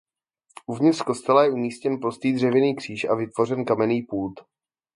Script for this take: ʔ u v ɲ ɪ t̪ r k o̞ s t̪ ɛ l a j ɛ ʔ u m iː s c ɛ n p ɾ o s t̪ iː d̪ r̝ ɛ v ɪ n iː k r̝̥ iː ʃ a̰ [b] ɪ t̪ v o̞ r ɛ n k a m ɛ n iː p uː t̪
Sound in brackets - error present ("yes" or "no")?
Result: yes